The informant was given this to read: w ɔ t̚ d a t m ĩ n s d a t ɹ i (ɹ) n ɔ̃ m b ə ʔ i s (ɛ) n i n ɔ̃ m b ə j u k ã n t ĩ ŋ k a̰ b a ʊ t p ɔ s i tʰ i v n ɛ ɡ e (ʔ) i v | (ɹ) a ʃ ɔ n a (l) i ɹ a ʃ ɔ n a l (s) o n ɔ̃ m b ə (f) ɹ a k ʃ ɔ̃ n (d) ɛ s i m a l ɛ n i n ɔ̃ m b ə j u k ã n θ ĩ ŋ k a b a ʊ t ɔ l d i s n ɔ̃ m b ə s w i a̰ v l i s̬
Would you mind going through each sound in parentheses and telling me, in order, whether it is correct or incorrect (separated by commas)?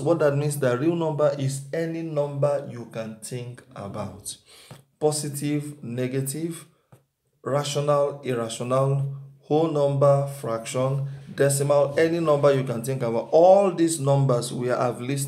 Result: incorrect, correct, incorrect, correct, correct, incorrect, correct, correct